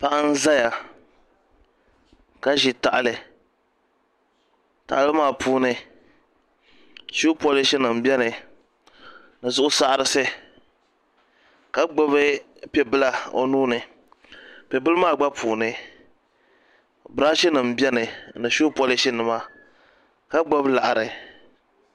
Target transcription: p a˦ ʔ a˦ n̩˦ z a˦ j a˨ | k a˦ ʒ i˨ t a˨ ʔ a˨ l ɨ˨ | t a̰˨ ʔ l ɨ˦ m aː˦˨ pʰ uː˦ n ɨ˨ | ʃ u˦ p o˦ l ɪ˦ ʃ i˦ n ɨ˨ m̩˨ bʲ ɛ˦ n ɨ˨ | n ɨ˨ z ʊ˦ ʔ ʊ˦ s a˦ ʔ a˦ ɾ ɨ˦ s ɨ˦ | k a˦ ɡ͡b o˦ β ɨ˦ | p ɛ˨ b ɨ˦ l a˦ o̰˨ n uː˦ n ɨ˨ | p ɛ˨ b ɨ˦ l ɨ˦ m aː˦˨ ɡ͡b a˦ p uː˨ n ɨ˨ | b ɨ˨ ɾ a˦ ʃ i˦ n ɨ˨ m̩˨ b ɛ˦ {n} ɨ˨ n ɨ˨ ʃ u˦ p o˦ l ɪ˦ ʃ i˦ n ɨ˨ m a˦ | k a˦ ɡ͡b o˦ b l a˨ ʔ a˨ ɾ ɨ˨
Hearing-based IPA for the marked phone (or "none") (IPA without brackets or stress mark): n